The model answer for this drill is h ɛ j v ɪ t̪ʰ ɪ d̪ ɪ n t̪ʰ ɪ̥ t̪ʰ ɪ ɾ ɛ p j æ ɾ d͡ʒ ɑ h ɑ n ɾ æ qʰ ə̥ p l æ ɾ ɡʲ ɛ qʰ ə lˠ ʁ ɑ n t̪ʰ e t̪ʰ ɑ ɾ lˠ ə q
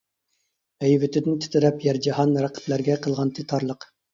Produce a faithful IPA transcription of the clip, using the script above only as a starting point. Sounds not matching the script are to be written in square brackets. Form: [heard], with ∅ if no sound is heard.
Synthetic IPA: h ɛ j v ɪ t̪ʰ ɪ d̪ ɪ n t̪ʰ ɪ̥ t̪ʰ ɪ ɾ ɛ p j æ ɾ d͡ʒ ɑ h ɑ n ɾ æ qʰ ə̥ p l æ ɾ ɡʲ ɛ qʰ ə lˠ ʁ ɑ n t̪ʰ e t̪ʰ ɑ ɾ lˠ ə q